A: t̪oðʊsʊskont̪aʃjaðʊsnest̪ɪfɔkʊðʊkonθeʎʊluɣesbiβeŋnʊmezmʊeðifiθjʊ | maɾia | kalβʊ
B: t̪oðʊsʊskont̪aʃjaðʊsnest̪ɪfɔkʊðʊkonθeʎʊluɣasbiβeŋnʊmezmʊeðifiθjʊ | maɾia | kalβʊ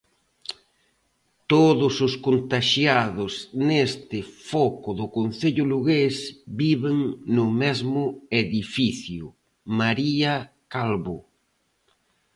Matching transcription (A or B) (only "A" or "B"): A